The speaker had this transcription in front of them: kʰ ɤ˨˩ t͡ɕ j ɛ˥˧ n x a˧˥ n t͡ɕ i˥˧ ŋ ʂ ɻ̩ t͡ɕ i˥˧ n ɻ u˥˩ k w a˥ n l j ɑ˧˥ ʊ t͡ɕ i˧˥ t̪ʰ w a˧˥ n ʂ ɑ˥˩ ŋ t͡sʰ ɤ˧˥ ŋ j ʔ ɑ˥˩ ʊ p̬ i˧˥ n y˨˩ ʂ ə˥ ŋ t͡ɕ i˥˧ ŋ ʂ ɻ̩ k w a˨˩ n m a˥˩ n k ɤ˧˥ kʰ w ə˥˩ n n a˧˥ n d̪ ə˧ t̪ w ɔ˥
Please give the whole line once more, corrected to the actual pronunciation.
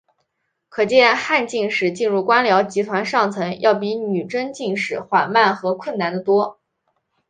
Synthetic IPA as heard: kʰ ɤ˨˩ t͡ɕ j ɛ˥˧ n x a˥˧ n t͡ɕ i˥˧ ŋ ʂ ɻ̩ t͡ɕ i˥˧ n ɻ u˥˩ k w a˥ n l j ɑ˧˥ ʊ t͡ɕ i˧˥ t̪ʰ w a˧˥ n ʂ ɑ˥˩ ŋ t͡sʰ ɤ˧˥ ŋ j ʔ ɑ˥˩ ʊ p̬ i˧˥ n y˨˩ ʈ͡ʂ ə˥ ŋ t͡ɕ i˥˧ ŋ ʂ ɻ̩ x w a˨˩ n m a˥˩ n x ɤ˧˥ kʰ w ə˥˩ n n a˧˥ n d̪ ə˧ t̪ w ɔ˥

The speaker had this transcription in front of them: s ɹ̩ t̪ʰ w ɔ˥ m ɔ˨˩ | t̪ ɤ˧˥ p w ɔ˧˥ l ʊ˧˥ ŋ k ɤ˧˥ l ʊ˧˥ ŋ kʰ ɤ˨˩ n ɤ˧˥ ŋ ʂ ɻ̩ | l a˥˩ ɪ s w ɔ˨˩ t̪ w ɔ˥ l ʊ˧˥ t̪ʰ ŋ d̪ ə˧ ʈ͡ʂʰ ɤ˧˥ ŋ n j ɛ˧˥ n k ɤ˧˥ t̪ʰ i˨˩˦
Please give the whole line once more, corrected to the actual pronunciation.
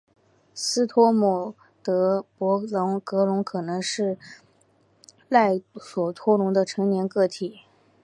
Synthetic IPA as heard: s ɹ̩ t̪ʰ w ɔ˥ m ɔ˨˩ | t̪ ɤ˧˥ p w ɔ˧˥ l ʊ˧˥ ŋ k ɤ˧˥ l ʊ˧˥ ŋ kʰ ɤ˨˩ n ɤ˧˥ ŋ ʂ ɻ̩ | l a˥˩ ɪ s w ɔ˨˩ t̪ʰ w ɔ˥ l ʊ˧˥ ŋ d̪ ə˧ ʈ͡ʂʰ ɤ˧˥ ŋ n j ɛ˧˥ n k ɤ˥˩ t̪ʰ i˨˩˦

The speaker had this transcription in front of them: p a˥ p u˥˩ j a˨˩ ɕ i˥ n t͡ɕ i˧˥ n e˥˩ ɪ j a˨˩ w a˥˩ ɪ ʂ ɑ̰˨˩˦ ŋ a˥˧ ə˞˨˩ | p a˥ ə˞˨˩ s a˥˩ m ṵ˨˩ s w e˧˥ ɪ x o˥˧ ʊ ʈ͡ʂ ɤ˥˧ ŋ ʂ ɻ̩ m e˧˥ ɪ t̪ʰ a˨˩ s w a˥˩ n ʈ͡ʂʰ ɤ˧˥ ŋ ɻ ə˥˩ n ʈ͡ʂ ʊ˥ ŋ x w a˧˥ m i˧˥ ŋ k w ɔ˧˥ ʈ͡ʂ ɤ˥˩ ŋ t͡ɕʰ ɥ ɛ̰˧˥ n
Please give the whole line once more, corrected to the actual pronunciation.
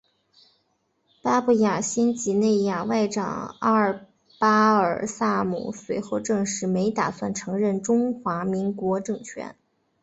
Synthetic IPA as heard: p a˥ p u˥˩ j a˨˩ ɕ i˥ n t͡ɕ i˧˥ n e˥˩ ɪ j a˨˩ w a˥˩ ɪ ʈ͡ʂ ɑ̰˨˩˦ ŋ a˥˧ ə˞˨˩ | p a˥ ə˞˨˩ s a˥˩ m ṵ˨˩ s w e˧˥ ɪ x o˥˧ ʊ ʈ͡ʂ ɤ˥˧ ŋ ʂ ɻ̩ m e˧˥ ɪ t̪ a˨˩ s w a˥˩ n ʈ͡ʂʰ ɤ˧˥ ŋ ɻ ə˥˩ n ʈ͡ʂ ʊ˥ ŋ x w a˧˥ m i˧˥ ŋ k w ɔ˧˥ ʈ͡ʂ ɤ˥˩ ŋ t͡ɕʰ ɥ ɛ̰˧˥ n

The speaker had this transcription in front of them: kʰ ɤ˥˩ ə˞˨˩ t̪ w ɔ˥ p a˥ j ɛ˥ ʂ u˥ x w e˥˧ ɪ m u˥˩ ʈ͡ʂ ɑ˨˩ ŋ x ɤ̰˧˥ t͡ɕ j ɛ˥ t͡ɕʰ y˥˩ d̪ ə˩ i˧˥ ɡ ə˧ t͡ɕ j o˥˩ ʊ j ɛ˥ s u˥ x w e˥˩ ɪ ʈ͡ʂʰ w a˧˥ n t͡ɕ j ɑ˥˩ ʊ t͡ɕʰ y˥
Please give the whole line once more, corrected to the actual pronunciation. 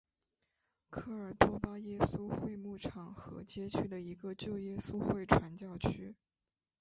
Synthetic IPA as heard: kʰ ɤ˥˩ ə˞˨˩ t̪ w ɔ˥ p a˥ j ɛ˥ s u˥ x w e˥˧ ɪ m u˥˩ ʈ͡ʂʰ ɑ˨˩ ŋ x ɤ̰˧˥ t͡ɕ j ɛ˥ t͡ɕʰ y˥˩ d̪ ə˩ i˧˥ ɡ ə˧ t͡ɕ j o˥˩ ʊ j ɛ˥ s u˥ x w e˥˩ ɪ ʈ͡ʂʰ w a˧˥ n t͡ɕ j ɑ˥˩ ʊ t͡ɕʰ y˥

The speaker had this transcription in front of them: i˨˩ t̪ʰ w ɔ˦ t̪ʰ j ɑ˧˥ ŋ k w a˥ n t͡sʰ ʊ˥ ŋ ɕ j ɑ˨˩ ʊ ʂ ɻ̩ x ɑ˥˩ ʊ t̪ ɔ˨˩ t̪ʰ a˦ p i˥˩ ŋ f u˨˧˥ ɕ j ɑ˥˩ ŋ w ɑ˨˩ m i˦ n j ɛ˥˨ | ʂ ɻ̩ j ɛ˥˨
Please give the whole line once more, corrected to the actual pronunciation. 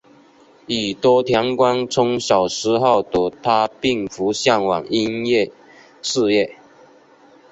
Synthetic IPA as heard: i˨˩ t̪ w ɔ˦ t̪ʰ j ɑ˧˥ ŋ k w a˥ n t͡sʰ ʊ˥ ŋ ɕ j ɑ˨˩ ʊ ʂ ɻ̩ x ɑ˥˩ ʊ t̪ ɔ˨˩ t̪ʰ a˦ p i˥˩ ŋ f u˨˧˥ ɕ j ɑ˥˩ ŋ w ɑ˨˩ ŋ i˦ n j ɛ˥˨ | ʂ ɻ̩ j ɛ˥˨

